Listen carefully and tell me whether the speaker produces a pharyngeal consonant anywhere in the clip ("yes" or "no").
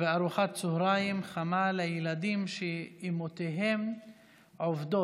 yes